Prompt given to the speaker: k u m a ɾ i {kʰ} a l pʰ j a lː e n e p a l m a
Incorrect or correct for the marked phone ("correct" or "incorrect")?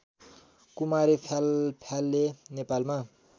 incorrect